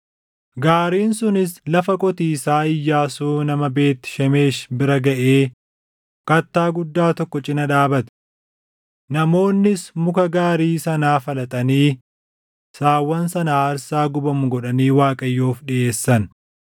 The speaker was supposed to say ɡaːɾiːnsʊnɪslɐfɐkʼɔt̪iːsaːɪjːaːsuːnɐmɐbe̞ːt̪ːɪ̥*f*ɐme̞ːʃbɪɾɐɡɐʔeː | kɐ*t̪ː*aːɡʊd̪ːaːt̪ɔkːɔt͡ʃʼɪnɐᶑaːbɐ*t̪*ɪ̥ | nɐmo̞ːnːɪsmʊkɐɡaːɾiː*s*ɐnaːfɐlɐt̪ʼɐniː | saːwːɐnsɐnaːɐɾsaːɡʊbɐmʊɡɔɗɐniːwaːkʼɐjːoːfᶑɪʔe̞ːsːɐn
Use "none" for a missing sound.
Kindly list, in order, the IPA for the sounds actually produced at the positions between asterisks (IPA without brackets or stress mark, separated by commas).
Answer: ʃ, t̪ː, t̪, s